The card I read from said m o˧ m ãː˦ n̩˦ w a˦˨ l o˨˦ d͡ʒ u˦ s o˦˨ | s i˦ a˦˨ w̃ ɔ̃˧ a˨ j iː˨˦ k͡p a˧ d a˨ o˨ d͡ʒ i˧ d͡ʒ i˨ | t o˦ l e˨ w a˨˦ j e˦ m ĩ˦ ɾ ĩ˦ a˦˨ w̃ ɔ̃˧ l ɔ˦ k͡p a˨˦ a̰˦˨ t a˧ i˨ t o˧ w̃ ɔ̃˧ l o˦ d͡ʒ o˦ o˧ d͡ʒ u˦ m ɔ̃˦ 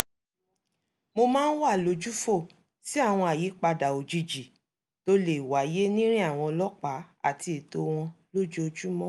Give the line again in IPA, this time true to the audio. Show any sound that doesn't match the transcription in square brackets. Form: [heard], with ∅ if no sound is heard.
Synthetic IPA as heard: m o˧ m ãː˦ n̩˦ w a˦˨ l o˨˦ d͡ʒ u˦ [f] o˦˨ | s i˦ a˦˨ w̃ ɔ̃˧ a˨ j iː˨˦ k͡p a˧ d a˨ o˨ d͡ʒ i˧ d͡ʒ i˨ | t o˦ l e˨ w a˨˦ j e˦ [n] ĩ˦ ɾ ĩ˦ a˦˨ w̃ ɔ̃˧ l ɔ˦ k͡p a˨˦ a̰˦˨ t [i˧] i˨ t o˧ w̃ ɔ̃˧ l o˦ d͡ʒ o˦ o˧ d͡ʒ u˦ m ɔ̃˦